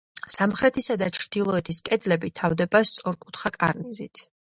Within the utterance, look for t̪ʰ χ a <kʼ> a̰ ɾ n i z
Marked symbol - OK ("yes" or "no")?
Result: yes